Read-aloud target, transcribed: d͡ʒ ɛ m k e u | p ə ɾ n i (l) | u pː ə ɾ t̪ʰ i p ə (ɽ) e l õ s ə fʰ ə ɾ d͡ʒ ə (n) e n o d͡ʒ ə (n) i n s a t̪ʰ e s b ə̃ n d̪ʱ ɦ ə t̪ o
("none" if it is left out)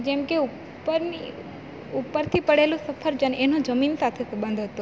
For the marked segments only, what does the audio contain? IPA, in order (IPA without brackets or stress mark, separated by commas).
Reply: none, ɽ, n, m